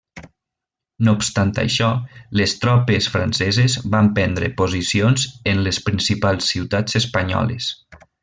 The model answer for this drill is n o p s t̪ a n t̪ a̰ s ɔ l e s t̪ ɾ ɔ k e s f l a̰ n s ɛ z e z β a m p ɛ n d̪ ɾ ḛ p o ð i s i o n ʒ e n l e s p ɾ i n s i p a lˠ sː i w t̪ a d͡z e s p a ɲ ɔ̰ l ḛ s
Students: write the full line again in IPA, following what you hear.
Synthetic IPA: n o p s t̪ a n t̪ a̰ ʃ ɔ l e s t̪ ɾ ɔ p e s f ɾ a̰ n s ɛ z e z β a m p ɛ n d̪ ɾ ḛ p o z i s i o n z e n l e s p ɾ i n s i p a lˠ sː i w t̪ a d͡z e s p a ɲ ɔ̰ l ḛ s